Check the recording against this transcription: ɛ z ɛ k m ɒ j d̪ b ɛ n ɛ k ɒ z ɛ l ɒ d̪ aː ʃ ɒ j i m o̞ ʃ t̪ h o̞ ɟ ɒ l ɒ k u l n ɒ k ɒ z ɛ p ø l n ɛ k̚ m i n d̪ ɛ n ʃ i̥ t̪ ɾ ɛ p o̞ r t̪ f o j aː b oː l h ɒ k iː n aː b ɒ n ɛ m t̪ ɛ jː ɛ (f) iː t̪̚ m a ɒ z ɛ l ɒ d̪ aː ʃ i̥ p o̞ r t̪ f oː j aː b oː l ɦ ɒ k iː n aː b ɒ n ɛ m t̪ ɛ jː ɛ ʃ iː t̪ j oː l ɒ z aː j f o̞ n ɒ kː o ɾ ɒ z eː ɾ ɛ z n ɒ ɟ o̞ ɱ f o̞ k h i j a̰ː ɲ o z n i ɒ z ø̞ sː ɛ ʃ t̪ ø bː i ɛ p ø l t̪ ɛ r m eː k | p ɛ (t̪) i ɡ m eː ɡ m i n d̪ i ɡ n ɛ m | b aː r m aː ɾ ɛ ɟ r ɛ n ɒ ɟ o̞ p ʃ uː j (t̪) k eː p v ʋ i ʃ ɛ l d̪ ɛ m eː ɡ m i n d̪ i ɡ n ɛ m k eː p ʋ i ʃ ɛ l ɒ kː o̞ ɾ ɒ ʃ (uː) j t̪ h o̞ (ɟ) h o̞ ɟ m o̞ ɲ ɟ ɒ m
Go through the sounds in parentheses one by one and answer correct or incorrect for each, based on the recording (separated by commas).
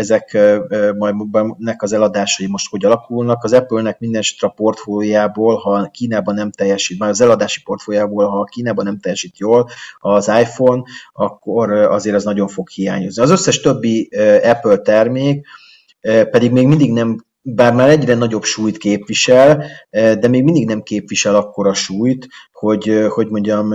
incorrect, incorrect, correct, correct, correct